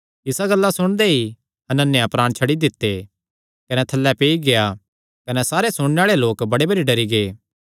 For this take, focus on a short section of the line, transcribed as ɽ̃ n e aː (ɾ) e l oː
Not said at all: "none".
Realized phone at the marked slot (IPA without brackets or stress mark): ɭ